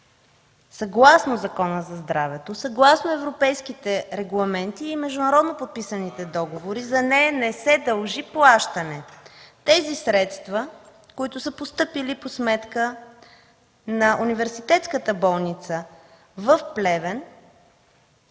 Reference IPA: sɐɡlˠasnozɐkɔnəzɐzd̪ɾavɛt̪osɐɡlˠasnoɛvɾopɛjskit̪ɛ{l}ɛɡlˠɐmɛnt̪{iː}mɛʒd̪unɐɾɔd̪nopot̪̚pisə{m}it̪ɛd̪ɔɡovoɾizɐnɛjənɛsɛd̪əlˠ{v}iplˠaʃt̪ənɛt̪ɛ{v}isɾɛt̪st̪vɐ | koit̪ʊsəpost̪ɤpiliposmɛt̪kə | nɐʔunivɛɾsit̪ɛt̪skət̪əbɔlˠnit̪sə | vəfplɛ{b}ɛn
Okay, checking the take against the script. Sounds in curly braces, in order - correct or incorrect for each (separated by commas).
incorrect, correct, incorrect, incorrect, incorrect, incorrect